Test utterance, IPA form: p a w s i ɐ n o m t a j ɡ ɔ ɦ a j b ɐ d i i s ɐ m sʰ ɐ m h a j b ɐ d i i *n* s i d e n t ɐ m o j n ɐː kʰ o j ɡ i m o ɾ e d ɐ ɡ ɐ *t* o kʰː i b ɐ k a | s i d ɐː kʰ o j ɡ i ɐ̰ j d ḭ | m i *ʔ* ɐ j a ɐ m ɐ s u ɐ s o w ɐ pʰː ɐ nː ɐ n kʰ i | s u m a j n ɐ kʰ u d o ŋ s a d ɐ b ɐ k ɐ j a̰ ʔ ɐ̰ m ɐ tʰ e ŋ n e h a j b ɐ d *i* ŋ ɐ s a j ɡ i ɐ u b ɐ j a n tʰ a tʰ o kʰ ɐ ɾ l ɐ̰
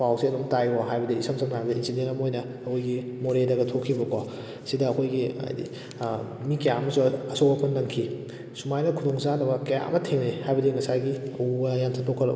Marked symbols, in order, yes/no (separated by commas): yes, no, no, yes